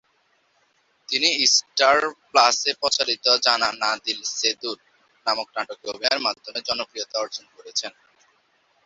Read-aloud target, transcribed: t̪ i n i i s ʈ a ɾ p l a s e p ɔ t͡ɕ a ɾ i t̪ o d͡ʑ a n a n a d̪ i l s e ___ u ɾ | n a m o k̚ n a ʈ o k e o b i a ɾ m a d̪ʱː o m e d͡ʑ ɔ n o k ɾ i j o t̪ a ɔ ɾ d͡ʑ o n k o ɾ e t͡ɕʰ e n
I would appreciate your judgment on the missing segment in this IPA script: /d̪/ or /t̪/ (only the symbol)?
d̪